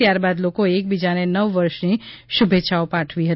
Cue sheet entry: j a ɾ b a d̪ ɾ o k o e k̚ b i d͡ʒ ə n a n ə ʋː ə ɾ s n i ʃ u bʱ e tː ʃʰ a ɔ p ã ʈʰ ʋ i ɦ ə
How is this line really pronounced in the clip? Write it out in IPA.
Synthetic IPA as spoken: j a ɾ b a d̪ l o k o e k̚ b i d͡ʒ a n e n ə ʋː ə ɾ ʃ n i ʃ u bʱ e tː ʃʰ a o p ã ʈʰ ʋ i ɦ ə